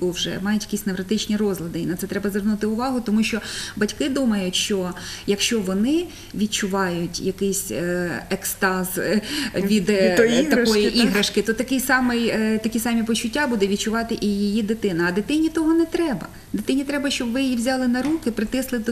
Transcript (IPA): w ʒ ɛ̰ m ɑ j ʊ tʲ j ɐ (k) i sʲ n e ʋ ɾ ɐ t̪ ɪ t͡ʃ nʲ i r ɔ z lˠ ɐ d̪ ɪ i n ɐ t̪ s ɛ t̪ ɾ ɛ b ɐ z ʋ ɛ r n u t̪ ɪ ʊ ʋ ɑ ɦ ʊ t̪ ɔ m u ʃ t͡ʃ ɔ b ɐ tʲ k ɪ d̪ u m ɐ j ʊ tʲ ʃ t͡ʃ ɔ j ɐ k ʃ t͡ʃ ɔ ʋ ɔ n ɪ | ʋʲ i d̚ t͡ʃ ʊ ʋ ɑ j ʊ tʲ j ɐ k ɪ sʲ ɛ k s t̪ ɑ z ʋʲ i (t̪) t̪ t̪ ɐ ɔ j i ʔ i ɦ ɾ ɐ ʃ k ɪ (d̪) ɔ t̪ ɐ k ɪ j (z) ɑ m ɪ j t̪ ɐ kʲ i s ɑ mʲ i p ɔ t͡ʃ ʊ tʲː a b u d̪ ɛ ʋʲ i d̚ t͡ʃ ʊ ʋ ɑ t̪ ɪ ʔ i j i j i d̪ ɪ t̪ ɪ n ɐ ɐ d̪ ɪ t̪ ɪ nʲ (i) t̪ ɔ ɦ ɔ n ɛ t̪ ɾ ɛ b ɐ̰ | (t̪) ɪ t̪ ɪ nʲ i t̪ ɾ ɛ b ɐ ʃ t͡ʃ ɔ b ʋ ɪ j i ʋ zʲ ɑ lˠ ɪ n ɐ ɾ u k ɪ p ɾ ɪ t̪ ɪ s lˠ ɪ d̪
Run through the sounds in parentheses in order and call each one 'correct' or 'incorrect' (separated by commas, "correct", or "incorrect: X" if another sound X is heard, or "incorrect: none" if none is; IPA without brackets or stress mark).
correct, incorrect: d̪, incorrect: t̪, incorrect: s, correct, incorrect: d̪